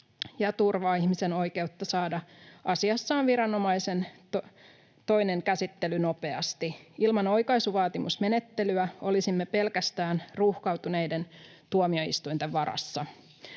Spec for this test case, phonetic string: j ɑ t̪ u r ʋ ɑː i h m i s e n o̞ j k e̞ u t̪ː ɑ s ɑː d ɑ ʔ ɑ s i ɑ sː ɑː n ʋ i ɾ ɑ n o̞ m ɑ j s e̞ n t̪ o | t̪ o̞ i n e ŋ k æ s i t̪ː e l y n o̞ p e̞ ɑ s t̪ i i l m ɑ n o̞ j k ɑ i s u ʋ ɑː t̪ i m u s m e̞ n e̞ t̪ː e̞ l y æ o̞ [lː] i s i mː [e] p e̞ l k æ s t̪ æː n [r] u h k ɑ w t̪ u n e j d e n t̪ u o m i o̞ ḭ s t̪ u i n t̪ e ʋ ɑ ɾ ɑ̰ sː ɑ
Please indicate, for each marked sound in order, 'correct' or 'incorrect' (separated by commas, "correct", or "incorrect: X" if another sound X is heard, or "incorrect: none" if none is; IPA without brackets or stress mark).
incorrect: l, correct, correct